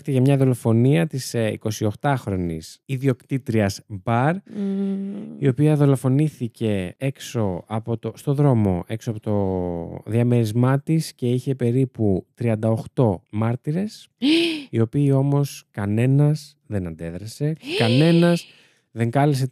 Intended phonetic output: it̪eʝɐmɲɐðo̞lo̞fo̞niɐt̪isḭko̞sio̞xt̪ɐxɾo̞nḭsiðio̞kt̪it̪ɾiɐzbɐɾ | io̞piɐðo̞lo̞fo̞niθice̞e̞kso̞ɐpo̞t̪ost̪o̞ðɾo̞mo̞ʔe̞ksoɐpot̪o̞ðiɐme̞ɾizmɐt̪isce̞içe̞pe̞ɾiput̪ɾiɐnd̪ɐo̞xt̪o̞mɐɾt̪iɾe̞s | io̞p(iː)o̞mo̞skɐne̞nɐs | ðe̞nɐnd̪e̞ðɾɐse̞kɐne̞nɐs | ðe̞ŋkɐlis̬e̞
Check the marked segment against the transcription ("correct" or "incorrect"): correct